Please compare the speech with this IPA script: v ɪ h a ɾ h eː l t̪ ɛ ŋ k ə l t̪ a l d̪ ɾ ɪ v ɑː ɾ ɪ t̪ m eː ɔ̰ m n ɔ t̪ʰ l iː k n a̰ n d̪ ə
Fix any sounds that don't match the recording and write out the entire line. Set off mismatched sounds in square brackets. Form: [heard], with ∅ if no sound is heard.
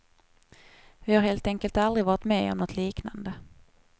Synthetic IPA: v ɪ h a ɾ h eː l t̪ ɛ ŋ k ə l t̪ a l d̪ ɾ ɪ v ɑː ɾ ɪ t̪ m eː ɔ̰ m n ɔ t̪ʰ l iː k n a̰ n d̪ ə